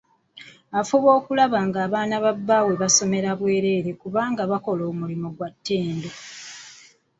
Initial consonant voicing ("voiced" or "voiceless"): voiceless